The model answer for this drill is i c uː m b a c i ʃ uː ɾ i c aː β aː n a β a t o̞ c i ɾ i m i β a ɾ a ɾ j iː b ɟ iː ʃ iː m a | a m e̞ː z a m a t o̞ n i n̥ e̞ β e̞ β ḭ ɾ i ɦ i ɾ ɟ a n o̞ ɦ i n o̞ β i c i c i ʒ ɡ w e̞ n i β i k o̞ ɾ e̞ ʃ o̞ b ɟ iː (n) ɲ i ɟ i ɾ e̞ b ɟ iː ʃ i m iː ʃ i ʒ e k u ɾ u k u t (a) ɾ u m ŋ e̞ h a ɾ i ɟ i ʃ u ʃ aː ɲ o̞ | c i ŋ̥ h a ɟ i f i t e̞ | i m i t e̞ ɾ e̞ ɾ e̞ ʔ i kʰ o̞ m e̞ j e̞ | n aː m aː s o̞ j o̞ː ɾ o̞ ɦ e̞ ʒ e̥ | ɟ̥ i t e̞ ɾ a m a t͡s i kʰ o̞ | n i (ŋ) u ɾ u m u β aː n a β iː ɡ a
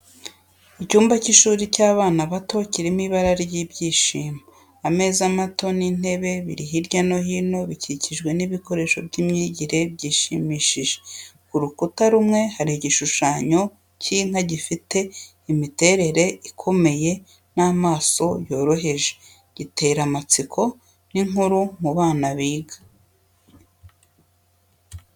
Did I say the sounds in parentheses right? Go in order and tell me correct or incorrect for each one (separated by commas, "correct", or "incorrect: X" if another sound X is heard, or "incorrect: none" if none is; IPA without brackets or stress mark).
incorrect: m, correct, correct